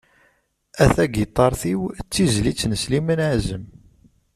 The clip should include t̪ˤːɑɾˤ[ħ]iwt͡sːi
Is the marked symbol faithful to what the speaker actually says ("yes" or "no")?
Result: no